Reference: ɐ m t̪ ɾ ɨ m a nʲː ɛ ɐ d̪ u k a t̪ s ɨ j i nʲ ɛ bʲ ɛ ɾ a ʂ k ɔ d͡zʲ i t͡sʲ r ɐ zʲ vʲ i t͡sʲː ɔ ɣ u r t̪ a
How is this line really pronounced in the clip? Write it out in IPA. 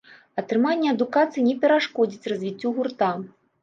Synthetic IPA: ɐ t̪ ɾ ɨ m a nʲː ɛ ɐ d̪ u k a t̪ s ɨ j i nʲ ɛ pʲ ɛ ɾ a ʂ k ɔ d͡zʲ i t͡sʲ r ɐ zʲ vʲ i t͡sʲː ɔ ɣ u r t̪ a